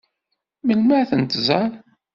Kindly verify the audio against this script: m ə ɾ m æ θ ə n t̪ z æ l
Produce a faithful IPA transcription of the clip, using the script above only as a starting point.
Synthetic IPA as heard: m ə l m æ θ ə n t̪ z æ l